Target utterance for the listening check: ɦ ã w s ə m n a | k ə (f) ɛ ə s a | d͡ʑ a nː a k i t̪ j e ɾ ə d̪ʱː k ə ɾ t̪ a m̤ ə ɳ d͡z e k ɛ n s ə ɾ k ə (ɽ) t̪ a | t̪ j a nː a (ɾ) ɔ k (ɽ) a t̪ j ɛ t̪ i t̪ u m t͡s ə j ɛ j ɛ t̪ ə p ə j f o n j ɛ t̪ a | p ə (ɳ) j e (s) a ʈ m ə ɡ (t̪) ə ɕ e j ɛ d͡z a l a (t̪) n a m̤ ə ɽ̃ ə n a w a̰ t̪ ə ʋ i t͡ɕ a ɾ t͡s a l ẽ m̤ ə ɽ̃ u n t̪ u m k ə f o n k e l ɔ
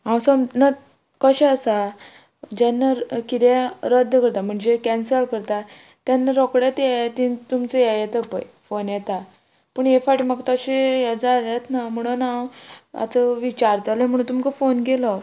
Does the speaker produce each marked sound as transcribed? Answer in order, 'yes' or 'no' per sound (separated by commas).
no, no, yes, yes, yes, no, yes, yes